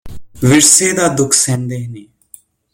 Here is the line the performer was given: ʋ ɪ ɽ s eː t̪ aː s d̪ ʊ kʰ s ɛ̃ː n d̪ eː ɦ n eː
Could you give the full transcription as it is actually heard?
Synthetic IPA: ʋ ɪ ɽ s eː d̪ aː d̪ ʊ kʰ s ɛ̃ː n d̪ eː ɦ n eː

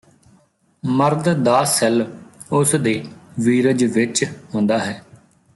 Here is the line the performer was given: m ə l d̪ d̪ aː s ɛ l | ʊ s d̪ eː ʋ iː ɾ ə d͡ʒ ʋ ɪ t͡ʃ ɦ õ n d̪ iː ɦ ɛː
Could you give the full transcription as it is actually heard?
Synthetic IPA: m ə ɾ d̪ d̪ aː s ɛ l | ʊ s d̪ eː ʋ iː ɾ ə d͡ʒ ʋ ɪ t͡ʃ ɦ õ n d̪ aː ɦ ɛː

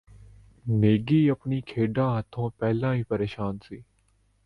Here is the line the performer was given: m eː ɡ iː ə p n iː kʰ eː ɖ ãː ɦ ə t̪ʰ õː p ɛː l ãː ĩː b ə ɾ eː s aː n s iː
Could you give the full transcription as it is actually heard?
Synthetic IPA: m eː ɡ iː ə p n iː kʰ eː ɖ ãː ɦ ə t̪ʰ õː p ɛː l ãː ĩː p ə ɾ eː ʃ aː n s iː

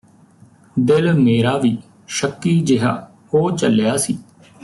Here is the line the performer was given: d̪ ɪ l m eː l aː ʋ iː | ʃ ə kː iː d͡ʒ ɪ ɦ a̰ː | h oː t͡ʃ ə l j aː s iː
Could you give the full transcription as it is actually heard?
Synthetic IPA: d̪ ɪ l m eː ɾ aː ʋ iː | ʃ ə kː iː d͡ʒ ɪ ɦ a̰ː | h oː t͡ʃ ə l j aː s iː

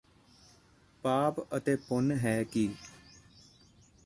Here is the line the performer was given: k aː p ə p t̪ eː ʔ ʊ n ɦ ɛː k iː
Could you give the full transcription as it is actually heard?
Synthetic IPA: p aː p ə t̪ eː p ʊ n ɦ ɛː k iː

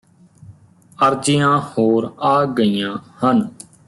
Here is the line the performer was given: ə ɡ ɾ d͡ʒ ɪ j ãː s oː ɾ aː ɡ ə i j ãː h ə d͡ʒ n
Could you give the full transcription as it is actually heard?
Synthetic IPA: ə ɾ d͡ʒ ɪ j ãː h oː ɾ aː ɡ ə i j ãː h ə n

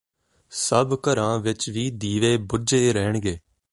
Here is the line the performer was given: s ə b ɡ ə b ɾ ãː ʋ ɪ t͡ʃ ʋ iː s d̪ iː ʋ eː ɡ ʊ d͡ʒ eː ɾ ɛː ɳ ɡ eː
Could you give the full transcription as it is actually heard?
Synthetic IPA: s ə b k ə ɾ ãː ʋ ɪ t͡ʃ ʋ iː d̪ iː ʋ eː b ʊ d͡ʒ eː ɾ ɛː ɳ ɡ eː

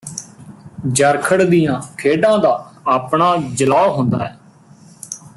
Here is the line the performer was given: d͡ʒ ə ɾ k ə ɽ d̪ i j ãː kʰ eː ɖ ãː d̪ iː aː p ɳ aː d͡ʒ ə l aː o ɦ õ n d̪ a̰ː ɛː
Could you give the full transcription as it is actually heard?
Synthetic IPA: d͡ʒ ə ɾ kʰ ə ɽ d̪ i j ãː kʰ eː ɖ ãː d̪ aː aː p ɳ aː d͡ʒ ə l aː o ɦ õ n d̪ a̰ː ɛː

